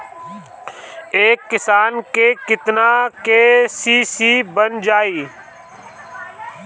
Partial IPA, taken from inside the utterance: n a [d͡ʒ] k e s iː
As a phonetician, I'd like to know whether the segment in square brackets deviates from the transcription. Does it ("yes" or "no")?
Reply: yes